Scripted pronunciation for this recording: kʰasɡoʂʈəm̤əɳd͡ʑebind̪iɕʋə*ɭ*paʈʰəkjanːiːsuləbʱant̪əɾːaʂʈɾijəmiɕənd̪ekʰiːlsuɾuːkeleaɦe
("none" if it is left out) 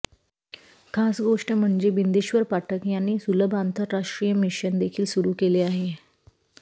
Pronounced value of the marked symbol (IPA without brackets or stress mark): ɾ